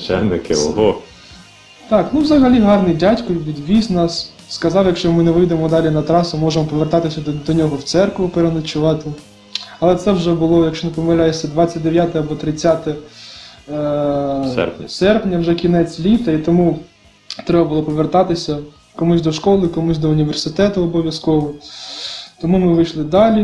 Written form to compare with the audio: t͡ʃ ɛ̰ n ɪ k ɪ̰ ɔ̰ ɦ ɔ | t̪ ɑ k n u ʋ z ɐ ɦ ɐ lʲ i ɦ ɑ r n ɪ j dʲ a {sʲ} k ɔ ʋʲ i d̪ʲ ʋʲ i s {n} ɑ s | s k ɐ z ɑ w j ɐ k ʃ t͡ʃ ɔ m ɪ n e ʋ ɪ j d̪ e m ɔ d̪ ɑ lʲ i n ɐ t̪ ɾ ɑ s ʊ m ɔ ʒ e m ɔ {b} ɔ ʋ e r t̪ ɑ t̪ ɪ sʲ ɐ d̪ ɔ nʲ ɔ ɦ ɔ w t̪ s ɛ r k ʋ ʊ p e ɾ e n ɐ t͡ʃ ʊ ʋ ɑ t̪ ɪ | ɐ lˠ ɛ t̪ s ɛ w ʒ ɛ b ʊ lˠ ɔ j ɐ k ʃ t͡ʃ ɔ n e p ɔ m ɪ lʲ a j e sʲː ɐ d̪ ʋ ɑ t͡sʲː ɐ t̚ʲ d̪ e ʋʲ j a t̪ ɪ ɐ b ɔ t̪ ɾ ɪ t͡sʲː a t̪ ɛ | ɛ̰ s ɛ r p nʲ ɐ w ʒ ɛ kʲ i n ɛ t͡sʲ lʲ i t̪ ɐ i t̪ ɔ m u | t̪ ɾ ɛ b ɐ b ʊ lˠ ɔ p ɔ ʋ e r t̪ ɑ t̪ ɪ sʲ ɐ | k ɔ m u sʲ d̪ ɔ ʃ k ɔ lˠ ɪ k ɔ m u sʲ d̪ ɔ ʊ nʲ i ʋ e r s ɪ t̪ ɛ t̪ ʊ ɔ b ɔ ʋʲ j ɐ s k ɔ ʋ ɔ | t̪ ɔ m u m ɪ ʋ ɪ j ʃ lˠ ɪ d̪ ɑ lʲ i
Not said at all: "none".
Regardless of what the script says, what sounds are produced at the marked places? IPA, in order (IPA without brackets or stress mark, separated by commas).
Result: tʲ, n, p